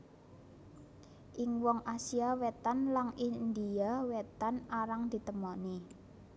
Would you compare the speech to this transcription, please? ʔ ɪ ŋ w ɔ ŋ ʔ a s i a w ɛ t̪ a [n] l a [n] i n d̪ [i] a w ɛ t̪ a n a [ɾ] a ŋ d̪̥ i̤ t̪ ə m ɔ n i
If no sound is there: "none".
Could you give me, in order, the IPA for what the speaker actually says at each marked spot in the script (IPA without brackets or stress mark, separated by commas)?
n, ŋ, i, ɾ